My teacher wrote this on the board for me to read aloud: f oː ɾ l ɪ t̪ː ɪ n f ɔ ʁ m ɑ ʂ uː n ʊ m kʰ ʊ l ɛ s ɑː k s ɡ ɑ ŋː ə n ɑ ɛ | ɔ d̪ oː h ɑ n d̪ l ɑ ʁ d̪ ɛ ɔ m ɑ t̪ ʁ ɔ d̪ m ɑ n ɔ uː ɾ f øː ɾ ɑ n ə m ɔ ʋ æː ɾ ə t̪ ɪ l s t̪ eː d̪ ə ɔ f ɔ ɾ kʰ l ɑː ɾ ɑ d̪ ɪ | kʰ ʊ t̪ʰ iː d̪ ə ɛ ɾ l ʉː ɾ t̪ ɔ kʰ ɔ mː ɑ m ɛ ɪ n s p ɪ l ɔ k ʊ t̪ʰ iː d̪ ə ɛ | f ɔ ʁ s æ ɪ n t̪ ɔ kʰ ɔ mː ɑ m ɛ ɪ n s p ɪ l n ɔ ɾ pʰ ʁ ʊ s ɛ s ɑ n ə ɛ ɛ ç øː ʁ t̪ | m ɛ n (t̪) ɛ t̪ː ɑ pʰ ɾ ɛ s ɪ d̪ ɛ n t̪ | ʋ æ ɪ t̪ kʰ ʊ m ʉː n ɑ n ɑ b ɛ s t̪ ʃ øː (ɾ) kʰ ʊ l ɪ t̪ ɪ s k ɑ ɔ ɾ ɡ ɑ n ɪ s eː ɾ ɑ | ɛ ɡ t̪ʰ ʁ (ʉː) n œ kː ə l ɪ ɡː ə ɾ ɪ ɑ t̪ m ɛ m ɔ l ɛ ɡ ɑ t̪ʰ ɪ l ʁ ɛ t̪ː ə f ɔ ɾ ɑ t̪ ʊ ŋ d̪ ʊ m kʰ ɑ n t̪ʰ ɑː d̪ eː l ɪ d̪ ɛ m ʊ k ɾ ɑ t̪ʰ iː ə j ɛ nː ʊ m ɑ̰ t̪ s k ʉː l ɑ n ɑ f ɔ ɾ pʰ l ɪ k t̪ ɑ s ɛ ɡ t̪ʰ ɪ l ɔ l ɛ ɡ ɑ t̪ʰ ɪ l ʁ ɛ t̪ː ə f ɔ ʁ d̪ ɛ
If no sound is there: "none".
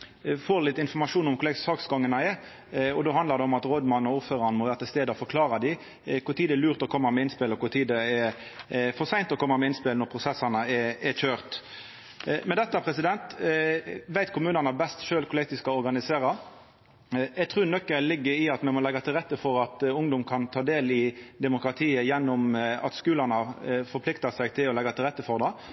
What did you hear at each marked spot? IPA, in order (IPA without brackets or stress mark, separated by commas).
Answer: d̪, l, ʉː